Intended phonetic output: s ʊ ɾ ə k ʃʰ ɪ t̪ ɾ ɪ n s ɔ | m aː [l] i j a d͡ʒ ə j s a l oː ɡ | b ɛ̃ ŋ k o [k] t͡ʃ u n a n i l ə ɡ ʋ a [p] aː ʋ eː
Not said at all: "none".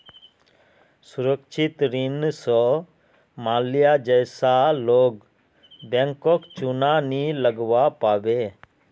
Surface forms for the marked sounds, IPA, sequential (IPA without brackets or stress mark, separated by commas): l, k, p